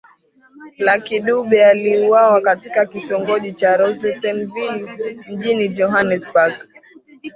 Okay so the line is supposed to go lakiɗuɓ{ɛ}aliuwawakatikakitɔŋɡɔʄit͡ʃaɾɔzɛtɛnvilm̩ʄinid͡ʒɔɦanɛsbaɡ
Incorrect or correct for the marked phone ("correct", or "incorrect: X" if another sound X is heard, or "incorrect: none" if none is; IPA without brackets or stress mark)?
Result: correct